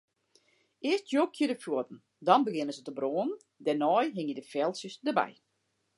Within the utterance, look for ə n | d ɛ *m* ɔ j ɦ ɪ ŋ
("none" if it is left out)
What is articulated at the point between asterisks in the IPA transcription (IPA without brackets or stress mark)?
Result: n